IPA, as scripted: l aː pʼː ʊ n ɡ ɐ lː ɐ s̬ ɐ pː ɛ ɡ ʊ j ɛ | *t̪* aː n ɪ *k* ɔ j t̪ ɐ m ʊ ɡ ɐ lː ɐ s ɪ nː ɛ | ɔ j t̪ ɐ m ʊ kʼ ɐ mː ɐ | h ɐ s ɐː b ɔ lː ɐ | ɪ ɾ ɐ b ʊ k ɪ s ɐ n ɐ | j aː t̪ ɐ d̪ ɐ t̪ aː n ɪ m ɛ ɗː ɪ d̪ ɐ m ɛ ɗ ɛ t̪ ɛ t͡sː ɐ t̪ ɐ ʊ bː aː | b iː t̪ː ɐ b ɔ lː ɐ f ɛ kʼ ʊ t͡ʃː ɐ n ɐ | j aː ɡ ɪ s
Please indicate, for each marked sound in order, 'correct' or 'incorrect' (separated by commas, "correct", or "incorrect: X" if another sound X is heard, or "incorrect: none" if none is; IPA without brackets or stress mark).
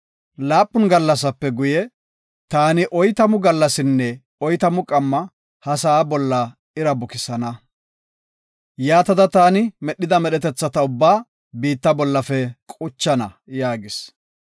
correct, incorrect: ʔ